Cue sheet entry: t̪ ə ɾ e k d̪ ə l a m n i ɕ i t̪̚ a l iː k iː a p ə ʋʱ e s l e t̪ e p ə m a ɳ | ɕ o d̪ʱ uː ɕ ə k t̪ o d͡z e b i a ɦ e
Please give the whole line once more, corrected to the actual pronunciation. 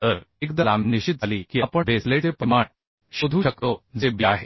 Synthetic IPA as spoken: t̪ ə ɾ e k d̪ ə l a m n i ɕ i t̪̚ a l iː k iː a p ə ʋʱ e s l e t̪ e p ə m a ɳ | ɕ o d̪ʱ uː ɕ ə k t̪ o d͡z e b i a ɦ e